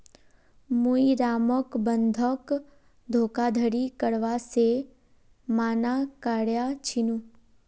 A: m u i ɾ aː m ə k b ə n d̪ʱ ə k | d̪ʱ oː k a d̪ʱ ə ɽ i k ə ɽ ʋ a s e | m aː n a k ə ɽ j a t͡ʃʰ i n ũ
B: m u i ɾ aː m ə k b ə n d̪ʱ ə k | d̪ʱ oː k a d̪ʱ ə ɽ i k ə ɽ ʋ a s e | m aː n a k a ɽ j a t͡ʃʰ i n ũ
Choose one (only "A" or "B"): B